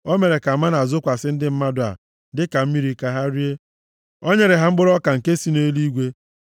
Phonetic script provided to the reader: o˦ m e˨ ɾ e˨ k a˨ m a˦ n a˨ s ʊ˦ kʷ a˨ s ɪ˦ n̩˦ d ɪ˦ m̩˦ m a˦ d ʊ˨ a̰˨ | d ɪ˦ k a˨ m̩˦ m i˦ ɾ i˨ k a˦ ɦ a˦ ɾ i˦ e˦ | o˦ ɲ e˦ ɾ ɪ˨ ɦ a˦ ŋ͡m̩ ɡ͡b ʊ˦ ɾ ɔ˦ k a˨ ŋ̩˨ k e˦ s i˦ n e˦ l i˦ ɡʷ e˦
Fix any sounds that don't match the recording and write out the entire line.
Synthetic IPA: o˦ m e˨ ɾ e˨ k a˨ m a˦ n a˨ z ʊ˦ kʷ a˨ s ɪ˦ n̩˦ d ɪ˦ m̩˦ m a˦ d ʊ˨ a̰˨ | d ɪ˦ k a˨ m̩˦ m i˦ ɾ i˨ k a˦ ɦ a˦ ɾ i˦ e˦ | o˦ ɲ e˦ ɾ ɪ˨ ɦ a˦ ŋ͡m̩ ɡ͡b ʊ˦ ɾ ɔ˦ k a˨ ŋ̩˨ k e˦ s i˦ n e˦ l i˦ ɡʷ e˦

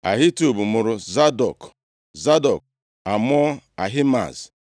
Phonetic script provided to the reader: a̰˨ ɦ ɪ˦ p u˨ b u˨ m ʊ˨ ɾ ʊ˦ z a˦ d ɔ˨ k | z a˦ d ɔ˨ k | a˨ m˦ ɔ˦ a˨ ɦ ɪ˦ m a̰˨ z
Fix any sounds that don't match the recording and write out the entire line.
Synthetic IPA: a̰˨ ɦ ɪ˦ t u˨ b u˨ m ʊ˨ ɾ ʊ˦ z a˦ d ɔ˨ k | z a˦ d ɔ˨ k | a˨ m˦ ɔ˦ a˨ ɦ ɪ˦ m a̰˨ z

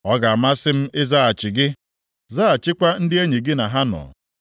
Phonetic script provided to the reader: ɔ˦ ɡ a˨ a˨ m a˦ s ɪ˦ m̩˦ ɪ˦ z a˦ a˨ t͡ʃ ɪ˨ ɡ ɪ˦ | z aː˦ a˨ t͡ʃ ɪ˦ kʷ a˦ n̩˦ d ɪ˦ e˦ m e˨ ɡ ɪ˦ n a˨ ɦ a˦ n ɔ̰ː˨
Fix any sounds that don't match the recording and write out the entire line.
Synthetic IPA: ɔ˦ ɡ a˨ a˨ m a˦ s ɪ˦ m̩˦ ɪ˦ z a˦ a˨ t͡ʃ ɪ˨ ɡ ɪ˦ | z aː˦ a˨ t͡ʃ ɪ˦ kʷ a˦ n̩˦ d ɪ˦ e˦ ɲ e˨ ɡ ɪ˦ n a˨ ɦ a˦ n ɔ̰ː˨

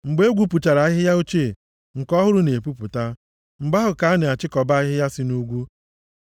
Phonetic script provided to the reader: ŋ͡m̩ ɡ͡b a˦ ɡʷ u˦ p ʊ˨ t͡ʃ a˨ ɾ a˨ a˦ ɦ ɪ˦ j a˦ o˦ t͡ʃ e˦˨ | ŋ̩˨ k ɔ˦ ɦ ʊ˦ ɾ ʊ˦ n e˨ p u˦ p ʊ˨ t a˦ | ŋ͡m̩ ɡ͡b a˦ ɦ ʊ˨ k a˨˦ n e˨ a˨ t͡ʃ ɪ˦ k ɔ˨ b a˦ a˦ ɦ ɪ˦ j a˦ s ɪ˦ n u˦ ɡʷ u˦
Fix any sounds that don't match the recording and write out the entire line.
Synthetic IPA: ŋ͡m̩ ɡ͡b e˦ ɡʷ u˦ p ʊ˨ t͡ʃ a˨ ɾ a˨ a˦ ɦ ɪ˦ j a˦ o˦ t͡ʃ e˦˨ | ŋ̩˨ k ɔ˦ ɦ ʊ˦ ɾ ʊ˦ n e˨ p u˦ p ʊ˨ t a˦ | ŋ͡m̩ ɡ͡b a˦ ɦ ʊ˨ k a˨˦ n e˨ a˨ t͡ʃ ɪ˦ k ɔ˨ b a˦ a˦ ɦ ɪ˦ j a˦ s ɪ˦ n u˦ ɡʷ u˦

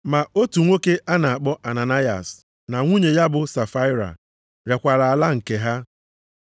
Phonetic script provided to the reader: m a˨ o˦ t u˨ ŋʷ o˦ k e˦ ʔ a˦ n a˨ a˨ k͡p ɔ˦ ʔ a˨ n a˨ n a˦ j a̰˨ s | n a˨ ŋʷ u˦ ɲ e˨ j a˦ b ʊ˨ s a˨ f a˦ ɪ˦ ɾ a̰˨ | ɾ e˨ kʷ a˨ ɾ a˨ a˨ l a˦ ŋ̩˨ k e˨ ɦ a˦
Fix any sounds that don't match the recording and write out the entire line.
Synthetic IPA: m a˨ o˦ t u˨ ŋʷ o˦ k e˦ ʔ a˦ n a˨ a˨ k͡p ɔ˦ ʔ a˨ n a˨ n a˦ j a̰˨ s | n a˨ ŋʷ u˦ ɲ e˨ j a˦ b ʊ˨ s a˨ f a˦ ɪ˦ ɾ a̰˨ | ɾ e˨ kʷ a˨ ɾ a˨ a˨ l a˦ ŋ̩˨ k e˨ ɦ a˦

